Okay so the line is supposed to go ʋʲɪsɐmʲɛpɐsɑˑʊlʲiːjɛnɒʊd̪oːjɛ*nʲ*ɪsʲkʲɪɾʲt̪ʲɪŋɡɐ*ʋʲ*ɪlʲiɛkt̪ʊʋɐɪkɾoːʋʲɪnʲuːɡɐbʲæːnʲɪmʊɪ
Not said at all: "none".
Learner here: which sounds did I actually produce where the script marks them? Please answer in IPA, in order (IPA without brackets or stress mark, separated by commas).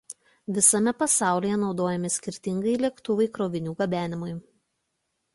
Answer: mʲ, none